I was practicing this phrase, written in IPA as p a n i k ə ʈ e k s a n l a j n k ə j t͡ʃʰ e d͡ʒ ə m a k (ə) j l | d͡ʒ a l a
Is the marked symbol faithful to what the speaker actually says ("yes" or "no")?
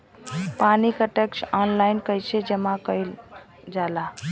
yes